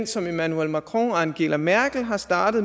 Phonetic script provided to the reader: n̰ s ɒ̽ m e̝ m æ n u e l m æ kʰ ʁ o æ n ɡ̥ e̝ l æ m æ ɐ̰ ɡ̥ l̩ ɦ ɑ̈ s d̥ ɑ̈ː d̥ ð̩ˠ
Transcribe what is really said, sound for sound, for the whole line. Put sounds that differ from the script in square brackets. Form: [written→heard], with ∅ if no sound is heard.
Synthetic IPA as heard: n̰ s ɒ̽ m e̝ m æ n u e l m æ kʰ ʁ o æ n ɡ̥ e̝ l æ m æ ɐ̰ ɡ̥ l̩ ɦ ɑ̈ s d̥ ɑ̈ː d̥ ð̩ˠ